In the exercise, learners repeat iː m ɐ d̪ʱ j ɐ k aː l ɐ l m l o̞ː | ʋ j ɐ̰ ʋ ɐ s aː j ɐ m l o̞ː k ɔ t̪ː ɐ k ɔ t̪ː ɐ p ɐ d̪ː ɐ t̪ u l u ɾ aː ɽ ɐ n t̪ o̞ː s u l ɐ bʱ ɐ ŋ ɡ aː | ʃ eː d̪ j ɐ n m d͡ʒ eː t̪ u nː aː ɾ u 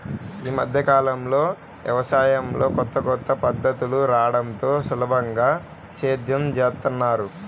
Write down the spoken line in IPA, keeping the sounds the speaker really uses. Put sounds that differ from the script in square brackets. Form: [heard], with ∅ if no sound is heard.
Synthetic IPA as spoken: iː m ɐ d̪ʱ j ɐ k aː l ɐ [∅] m l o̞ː | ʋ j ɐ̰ ʋ ɐ s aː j ɐ m l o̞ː k ɔ t̪ː ɐ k ɔ t̪ː ɐ p ɐ d̪ː ɐ t̪ u l u ɾ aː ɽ ɐ n t̪ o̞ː s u l ɐ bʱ ɐ ŋ ɡ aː | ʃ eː d̪ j ɐ [∅] m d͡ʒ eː t̪ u nː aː ɾ u